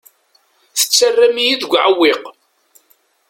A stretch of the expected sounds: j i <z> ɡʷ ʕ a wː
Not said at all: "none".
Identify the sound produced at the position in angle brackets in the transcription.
ð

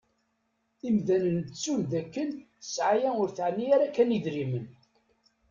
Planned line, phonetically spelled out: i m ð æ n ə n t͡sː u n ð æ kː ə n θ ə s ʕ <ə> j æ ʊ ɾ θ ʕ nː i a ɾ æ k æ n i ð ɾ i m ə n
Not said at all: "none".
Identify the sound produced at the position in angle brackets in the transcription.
a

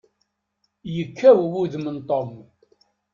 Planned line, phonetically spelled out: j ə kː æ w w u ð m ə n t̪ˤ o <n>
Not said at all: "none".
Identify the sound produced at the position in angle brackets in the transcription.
m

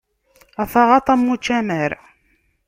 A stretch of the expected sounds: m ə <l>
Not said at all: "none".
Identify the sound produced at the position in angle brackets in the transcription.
ɾ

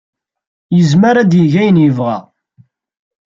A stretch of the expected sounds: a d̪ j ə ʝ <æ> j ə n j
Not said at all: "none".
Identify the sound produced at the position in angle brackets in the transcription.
æ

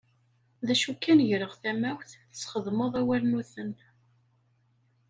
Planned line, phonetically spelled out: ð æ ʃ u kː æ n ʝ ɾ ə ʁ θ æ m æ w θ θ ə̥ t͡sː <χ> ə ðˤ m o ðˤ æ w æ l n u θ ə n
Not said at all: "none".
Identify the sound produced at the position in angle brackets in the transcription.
χ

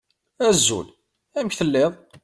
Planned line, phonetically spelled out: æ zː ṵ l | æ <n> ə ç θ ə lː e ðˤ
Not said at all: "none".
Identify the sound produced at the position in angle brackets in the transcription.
m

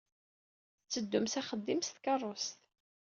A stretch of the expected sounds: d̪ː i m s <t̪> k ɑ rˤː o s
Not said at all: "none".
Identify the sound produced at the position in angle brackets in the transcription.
t̪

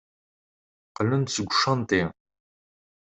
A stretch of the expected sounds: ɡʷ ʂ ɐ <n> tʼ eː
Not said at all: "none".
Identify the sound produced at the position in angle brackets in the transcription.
n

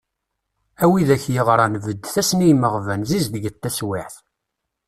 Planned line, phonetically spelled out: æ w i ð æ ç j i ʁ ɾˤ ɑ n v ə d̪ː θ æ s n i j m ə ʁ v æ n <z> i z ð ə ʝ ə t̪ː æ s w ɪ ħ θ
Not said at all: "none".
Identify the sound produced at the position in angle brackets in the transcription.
z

